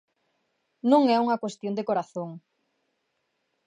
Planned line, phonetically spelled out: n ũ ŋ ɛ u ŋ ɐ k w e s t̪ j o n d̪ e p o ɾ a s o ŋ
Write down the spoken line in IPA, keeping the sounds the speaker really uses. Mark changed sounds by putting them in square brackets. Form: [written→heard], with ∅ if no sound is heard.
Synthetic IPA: n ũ ŋ ɛ u ŋ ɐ k w e s t̪ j o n d̪ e [p→k] o ɾ a [s→θ] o ŋ